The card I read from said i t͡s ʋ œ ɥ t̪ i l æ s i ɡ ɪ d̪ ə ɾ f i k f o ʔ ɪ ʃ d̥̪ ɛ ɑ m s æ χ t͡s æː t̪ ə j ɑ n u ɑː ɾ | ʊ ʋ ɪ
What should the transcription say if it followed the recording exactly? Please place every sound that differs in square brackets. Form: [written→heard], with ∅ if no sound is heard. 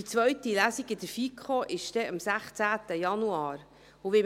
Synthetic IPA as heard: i t͡s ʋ œ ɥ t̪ i l æ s i ɡ ɪ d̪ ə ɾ f i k [f→χ] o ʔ ɪ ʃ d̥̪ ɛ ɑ m s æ χ t͡s æː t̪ ə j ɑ n u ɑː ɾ | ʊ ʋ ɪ